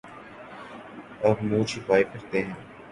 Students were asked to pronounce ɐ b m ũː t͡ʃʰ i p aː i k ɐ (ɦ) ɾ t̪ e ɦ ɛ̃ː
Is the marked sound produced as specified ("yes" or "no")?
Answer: no